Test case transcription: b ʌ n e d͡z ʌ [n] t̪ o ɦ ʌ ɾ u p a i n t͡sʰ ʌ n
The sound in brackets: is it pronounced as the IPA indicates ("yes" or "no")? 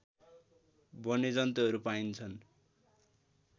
yes